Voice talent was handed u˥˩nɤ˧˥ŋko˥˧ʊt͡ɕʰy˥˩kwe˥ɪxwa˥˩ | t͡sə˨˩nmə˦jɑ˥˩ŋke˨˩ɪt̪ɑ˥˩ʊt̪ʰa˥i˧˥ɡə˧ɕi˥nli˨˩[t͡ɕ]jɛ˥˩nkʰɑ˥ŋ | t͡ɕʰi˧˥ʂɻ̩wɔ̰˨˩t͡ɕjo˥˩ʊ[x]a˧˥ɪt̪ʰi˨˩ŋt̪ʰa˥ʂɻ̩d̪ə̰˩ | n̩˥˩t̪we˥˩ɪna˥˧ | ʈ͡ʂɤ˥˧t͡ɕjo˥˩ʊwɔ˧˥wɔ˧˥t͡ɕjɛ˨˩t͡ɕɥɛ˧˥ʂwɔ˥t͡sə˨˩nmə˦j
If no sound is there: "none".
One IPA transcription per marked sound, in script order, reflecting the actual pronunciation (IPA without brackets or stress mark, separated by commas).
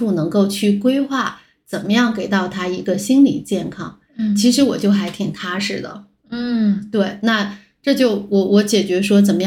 t͡ɕ, x